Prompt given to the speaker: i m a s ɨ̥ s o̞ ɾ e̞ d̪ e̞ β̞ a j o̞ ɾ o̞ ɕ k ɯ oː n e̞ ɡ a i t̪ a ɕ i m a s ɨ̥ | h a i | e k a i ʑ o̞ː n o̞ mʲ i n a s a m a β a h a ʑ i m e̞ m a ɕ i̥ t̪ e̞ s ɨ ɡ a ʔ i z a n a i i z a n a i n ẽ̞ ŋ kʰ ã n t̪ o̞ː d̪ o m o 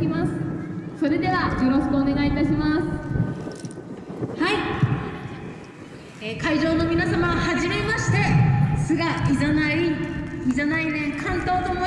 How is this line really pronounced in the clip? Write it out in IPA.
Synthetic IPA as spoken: i m a s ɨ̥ s o̞ ɾ e̞ d̪ e̞ β̞ a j o̞ ɾ o̞ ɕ k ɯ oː n e̞ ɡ a i t̪ a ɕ i m a s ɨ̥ | h a i | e k a i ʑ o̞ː n o̞ mʲ i n a s a m a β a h a ʑ i m e̞ m a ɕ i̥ t̪ e̞ s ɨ ɡ a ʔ i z a n a i i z a n a i n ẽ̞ ŋ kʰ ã n t̪ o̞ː t̪ o m o

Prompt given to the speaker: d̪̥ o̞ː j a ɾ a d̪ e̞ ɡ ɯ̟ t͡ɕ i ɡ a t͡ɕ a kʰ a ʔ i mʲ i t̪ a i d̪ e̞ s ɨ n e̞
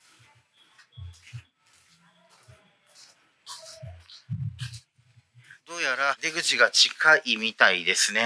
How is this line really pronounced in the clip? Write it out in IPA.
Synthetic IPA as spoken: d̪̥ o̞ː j a ɾ a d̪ e̞ ɡ ɯ̟ t͡ɕ i ɡ a t͡ɕ i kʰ a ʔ i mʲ i t̪ a i d̪ e̞ s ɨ n e̞

